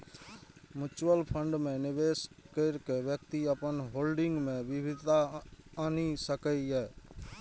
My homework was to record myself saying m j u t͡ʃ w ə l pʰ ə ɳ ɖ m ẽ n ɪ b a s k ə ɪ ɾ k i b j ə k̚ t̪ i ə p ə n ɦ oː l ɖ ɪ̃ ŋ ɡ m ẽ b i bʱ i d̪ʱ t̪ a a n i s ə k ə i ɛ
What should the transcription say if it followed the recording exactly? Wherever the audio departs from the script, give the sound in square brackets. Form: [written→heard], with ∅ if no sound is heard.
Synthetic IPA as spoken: m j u t͡ʃ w ə l pʰ ə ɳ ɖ m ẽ n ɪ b [a→e] s k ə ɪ ɾ k [i→e] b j ə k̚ t̪ i ə p ə n ɦ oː l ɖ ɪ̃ ŋ ɡ m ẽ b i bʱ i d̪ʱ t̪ a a n i s ə k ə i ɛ